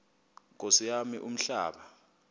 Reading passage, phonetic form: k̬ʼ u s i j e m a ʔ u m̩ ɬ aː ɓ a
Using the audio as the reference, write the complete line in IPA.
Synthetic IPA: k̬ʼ o s i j a m i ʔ u m̩ ɬ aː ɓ a